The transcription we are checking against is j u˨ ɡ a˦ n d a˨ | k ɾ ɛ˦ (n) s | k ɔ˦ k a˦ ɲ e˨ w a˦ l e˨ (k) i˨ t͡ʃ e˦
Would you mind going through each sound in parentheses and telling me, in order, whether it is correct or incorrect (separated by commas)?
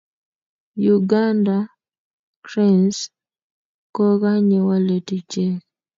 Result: correct, incorrect